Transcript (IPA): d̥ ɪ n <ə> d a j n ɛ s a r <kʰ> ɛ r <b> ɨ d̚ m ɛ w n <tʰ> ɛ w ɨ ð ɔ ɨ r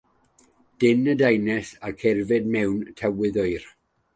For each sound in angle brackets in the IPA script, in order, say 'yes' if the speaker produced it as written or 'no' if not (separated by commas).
yes, yes, no, yes